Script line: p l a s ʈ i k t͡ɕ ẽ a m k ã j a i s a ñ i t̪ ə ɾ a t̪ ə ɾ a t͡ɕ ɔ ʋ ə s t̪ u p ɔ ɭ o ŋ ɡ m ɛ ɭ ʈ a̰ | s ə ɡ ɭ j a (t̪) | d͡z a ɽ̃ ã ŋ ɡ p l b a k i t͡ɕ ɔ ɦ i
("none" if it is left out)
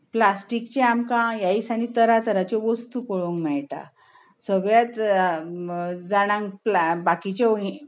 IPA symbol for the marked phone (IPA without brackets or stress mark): t̪